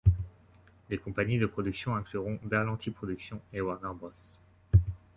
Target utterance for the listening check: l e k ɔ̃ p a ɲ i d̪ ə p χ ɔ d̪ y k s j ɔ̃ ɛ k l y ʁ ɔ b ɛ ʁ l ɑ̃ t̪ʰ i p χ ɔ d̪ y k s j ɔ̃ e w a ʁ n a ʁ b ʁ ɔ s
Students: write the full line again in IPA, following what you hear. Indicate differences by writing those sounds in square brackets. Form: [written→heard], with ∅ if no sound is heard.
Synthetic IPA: l e k ɔ̃ p a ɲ i d̪ ə p χ ɔ d̪ y k s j ɔ̃ [ɛ→ɛ̃] k l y ʁ [ɔ→ɔ̃] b ɛ ʁ l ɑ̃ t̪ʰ i p χ ɔ d̪ y k s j ɔ̃ e w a ʁ n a ʁ b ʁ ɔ s

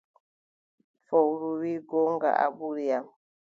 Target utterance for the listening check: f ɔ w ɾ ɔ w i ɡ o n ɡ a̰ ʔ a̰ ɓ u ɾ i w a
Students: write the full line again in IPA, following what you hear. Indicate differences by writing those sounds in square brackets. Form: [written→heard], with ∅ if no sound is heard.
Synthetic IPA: f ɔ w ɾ [ɔ→u] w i ɡ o [n→ŋ] ɡ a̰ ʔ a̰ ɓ u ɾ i [w→∅] a

